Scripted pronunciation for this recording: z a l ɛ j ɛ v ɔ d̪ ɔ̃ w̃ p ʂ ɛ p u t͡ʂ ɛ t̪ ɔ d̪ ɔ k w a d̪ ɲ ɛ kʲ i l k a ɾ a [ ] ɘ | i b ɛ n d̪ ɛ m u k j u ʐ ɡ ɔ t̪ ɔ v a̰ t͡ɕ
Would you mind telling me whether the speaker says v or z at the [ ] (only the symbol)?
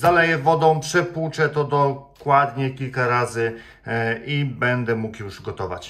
z